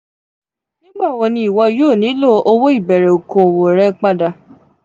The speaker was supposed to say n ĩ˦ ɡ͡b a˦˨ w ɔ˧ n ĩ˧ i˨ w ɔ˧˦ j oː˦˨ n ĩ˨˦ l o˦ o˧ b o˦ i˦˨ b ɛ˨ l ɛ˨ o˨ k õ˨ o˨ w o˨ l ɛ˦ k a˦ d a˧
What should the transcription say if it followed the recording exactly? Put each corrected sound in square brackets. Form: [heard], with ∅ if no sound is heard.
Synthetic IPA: n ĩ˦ ɡ͡b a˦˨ w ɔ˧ n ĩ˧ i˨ w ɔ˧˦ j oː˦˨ n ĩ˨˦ l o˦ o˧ [w] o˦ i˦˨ b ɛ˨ [ɾ] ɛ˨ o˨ k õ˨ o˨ w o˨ [ɾ] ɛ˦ [k͡p] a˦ d a˧